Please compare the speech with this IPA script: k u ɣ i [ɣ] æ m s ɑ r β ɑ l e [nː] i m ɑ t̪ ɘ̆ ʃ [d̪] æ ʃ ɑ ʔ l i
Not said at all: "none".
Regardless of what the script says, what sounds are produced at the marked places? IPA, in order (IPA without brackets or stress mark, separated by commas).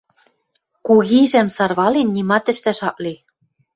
ʒ, nː, t̪